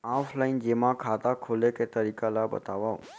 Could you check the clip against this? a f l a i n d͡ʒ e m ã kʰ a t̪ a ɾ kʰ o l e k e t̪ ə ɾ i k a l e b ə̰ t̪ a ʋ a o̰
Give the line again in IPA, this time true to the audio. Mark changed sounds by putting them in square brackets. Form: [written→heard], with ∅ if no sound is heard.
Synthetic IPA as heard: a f l a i n d͡ʒ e m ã kʰ a t̪ a [ɾ→∅] kʰ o l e k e t̪ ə ɾ i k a l [e→a] b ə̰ t̪ a ʋ a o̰